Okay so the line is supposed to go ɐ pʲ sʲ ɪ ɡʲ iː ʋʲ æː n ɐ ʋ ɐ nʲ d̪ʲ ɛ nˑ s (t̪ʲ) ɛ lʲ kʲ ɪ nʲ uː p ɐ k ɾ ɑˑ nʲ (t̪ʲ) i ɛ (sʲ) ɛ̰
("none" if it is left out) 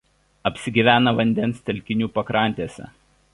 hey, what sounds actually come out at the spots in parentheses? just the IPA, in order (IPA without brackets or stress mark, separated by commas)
t̪ʲ, t̪ʲ, sʲ